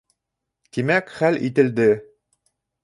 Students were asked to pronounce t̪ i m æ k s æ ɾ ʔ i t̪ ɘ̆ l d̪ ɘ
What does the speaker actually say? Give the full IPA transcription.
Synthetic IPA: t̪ i m æ k χ æ l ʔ i t̪ ɘ̆ l d̪ ɘ